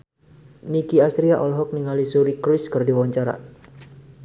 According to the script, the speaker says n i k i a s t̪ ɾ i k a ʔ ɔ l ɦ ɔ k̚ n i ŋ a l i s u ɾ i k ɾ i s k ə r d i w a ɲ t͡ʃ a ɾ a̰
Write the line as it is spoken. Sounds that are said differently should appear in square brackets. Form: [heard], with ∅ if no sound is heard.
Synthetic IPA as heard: n i k i a s t̪ ɾ i [∅] a ʔ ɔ l ɦ ɔ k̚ n i ŋ a l i s u ɾ i k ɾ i s k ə r d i w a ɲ t͡ʃ a ɾ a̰